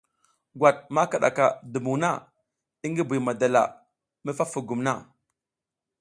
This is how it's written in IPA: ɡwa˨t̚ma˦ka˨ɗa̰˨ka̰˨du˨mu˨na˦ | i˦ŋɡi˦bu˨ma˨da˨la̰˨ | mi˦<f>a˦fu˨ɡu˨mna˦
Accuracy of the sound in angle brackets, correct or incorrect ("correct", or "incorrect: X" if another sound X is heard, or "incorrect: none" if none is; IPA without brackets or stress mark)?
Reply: correct